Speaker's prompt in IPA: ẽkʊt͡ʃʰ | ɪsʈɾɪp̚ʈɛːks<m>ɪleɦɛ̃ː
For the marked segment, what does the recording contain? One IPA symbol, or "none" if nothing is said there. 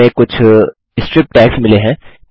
m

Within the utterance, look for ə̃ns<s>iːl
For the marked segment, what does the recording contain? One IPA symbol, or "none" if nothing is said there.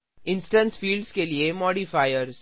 f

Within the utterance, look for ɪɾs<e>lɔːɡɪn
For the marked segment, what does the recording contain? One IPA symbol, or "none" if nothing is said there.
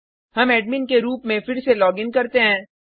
e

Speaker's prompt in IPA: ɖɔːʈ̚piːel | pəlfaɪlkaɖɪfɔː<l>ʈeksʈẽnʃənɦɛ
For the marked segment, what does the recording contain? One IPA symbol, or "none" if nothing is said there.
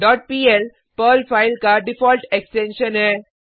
l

